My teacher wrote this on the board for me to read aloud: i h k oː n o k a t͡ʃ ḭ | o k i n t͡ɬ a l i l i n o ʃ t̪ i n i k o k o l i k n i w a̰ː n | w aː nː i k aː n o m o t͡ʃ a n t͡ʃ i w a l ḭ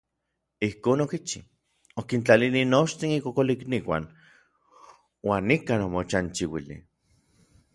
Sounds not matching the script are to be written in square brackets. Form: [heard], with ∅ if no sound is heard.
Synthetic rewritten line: i h k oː n o k [i] t͡ʃ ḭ | o k i n t͡ɬ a l i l i n o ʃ t̪ i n i k o k o l i k n i w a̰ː n | w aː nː i k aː n o m o t͡ʃ a n t͡ʃ i w [i] l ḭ